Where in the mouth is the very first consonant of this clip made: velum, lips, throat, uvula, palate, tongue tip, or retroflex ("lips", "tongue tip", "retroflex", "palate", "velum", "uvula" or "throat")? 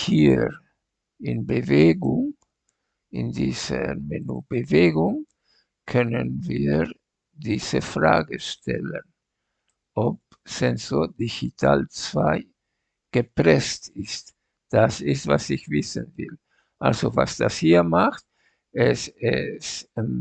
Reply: throat